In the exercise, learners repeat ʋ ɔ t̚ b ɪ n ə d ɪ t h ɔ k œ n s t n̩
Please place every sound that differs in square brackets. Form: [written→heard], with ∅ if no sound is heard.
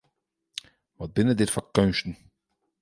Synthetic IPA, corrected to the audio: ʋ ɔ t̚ b ɪ n ə d ɪ t [h→f] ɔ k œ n s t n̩